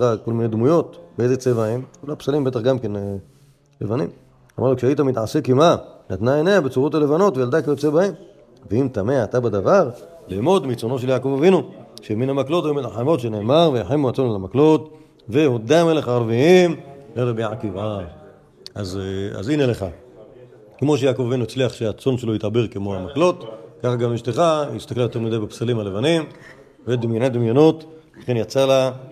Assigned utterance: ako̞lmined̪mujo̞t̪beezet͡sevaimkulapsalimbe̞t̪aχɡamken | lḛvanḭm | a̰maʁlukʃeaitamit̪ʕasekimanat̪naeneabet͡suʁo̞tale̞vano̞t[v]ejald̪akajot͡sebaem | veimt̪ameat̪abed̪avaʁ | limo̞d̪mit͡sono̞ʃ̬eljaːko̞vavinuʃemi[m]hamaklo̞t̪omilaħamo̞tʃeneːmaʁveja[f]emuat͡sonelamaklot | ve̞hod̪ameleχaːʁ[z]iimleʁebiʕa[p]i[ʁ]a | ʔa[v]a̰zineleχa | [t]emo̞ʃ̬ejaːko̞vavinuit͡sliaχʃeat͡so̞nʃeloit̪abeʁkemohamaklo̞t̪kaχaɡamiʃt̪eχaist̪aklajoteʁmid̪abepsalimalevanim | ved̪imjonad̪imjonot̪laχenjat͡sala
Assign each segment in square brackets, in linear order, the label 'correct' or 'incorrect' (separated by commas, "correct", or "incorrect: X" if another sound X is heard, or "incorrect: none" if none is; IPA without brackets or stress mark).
correct, incorrect: n, incorrect: ħ, incorrect: v, incorrect: k, incorrect: v, incorrect: z, incorrect: k